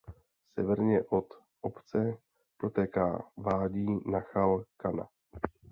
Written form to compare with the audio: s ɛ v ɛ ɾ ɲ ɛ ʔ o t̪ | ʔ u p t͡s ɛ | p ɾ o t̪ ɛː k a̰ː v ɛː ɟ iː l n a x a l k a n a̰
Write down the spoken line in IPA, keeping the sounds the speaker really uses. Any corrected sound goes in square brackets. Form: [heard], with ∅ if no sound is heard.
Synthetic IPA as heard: s ɛ v ɛ ɾ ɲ ɛ ʔ o t̪ | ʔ [o] p t͡s ɛ | p ɾ o t̪ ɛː k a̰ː v [aː] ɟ iː [∅] n a x a l k a n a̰

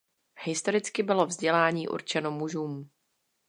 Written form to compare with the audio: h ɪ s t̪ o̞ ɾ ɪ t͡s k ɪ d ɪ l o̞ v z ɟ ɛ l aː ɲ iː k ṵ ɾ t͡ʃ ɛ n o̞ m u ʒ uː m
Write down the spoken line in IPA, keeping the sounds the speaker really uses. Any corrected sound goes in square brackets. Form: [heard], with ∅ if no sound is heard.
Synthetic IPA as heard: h ɪ s t̪ o̞ ɾ ɪ t͡s k ɪ [b] ɪ l o̞ v z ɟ ɛ l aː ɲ iː [ʔ] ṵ ɾ t͡ʃ ɛ n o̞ m u ʒ uː m

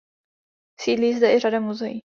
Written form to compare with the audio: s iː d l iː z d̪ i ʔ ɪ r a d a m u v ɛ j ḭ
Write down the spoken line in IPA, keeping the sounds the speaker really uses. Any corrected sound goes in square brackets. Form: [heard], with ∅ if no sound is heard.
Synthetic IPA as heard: s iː d l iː z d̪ [ɛ] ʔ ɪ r a d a m u [z] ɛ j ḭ

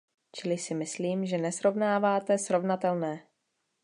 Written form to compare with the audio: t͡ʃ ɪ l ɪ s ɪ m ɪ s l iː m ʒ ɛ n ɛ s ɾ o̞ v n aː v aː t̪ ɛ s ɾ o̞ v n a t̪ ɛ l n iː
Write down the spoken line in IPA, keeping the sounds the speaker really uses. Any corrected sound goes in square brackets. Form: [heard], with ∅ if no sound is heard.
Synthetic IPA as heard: t͡ʃ ɪ l ɪ s ɪ m ɪ s l iː m ʒ ɛ n ɛ s ɾ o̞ v n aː v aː t̪ ɛ s ɾ o̞ v n a t̪ ɛ l n [ɛː]

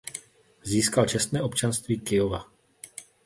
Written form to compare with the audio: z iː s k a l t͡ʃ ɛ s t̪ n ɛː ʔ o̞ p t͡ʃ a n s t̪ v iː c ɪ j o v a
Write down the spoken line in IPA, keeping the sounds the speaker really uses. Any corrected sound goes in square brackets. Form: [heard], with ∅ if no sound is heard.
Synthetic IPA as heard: z iː s k a l t͡ʃ ɛ s t̪ n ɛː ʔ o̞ p t͡ʃ a n s t̪ v iː [k] ɪ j o v a

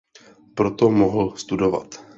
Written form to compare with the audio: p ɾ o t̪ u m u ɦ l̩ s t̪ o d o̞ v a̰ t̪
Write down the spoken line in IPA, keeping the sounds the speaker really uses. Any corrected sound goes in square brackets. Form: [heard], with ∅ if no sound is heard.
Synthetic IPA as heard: p ɾ o t̪ [o] m [o] ɦ l̩ s t̪ [u] d o̞ v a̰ t̪

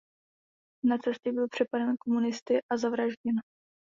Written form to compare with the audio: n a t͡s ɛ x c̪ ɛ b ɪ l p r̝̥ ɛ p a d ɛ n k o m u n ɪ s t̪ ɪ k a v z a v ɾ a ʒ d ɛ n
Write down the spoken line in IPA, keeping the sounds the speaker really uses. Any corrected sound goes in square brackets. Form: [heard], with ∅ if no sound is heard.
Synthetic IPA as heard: n a t͡s ɛ [s] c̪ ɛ b ɪ l p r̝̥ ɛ p a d ɛ n k o m u n ɪ s t̪ ɪ [ʔ] a [∅] z a v ɾ a ʒ [ɟ] ɛ n

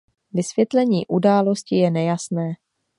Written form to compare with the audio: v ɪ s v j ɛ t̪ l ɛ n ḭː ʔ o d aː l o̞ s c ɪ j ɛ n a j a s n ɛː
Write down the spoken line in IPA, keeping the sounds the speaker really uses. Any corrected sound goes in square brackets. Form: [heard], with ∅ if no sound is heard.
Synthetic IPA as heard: v ɪ s v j ɛ t̪ l ɛ [ɲ] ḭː ʔ [u] d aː l o̞ s c ɪ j ɛ n [ɛ] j a s n ɛː

